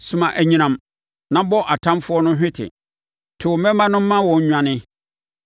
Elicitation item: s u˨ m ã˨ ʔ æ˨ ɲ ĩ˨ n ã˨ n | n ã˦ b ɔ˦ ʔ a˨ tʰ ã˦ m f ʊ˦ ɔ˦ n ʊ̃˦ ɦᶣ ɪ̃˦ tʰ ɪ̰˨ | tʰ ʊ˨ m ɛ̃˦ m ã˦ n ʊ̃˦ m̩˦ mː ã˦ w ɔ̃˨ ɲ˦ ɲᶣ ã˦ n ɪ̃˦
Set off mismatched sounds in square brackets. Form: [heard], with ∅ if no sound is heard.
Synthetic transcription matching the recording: s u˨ m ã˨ ʔ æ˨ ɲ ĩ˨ n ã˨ [m] | n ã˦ b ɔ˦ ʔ a˨ tʰ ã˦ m f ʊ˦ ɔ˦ n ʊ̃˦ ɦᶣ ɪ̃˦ tʰ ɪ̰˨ | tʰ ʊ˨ m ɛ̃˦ m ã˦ n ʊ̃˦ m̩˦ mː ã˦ w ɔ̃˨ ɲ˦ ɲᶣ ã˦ n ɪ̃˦